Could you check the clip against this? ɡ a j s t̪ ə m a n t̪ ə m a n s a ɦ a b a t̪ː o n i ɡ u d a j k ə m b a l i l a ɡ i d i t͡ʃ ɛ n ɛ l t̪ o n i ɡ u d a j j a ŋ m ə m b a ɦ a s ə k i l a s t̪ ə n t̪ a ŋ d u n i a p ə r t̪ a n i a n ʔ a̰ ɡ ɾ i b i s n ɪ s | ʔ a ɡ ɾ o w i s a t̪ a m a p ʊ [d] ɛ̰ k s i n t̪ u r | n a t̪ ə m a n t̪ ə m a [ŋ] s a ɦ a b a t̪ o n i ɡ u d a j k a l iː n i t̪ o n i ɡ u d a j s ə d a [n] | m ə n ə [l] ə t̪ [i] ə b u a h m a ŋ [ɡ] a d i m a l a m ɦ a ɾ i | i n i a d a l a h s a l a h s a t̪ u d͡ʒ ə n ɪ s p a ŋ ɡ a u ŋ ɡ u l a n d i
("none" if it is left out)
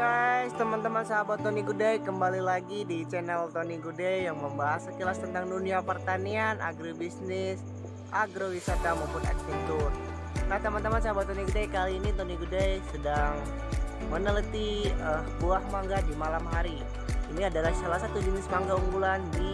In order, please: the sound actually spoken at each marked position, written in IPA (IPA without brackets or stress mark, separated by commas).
n, n, ŋ, l, i, ɡ